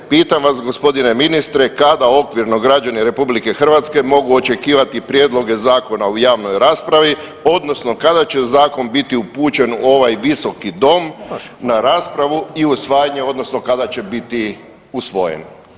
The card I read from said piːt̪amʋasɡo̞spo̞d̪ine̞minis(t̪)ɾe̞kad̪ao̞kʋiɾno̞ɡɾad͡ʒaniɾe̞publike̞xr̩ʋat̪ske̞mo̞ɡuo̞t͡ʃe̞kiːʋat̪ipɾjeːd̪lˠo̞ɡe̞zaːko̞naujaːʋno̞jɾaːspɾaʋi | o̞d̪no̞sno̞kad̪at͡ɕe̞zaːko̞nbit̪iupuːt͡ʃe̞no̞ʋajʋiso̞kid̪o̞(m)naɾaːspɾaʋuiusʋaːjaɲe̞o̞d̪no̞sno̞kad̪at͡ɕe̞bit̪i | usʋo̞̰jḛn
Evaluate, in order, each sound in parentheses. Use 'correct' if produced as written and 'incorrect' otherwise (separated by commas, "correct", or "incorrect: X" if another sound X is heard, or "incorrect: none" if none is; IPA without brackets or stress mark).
correct, correct